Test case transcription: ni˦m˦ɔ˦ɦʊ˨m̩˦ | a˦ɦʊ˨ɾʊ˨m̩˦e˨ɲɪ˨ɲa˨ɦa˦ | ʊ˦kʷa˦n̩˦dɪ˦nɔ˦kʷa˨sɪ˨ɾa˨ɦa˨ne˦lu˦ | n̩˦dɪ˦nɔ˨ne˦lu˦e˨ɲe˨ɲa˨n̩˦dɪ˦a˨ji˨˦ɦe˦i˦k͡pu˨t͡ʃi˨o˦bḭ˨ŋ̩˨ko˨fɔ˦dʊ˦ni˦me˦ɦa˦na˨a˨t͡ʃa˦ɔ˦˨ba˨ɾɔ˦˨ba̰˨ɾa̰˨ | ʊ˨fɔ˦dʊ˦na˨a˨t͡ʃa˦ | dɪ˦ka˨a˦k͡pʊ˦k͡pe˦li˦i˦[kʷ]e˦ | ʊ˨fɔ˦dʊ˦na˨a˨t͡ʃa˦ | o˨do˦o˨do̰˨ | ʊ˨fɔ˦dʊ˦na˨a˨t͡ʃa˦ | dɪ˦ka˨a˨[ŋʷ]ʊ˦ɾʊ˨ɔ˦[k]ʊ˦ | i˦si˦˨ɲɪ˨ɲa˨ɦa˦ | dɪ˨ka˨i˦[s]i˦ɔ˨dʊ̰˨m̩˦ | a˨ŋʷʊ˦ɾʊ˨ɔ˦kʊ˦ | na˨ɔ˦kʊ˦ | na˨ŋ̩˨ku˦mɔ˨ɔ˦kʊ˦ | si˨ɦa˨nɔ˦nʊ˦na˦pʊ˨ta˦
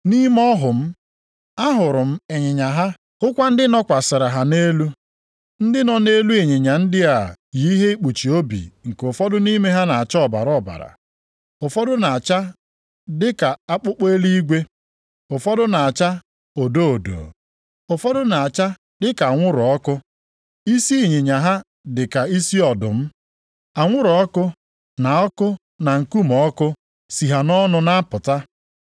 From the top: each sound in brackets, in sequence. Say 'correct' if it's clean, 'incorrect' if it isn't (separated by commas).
incorrect, correct, correct, correct